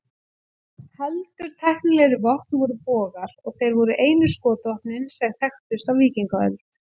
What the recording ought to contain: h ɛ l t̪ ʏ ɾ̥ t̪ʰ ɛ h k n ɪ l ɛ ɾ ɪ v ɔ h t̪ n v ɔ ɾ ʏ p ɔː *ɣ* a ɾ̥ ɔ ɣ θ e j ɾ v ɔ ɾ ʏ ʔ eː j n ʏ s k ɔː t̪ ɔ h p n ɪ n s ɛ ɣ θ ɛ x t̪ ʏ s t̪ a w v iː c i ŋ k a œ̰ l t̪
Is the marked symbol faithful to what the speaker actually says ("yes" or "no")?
yes